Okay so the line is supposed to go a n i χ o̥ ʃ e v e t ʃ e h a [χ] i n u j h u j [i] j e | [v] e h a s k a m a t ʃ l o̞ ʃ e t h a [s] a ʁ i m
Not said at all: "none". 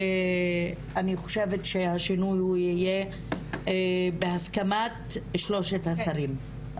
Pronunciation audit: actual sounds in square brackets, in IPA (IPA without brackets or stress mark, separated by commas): ʃ, i, b, s